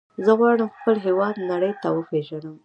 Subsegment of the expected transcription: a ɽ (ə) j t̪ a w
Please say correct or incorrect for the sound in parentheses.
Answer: correct